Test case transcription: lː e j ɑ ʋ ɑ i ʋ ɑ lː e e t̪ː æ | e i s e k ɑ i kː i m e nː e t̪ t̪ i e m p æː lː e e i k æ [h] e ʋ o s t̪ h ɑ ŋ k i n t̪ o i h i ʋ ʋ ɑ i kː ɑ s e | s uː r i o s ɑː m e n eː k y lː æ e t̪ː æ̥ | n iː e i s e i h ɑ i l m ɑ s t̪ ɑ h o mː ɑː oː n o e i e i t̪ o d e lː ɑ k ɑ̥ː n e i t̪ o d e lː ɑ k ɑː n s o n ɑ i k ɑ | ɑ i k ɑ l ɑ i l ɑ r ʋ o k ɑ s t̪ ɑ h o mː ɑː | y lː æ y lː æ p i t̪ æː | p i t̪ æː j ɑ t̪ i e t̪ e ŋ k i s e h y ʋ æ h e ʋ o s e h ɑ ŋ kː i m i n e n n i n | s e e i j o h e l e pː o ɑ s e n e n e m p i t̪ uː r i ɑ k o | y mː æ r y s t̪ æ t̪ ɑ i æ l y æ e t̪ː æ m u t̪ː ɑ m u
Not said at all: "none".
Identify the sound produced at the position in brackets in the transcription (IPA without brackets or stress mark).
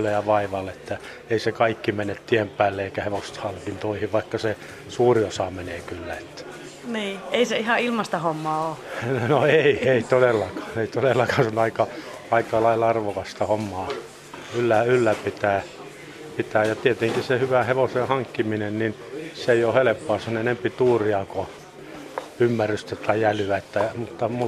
h